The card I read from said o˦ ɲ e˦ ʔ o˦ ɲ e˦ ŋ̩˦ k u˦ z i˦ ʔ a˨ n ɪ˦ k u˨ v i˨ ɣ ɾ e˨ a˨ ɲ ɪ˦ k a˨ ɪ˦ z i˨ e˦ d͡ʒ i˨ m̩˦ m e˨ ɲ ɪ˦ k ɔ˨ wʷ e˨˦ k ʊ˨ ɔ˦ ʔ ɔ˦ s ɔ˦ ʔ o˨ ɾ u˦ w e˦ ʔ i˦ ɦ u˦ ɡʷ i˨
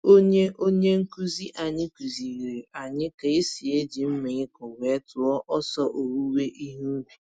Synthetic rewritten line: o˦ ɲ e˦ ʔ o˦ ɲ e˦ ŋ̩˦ k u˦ z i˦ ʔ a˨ ɲ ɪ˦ k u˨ z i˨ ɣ ɾ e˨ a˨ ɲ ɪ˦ k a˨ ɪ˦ s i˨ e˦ d͡ʒ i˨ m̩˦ m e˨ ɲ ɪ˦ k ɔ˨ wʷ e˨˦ t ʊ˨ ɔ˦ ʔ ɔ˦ s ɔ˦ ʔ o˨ ɾ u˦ w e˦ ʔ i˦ ɦ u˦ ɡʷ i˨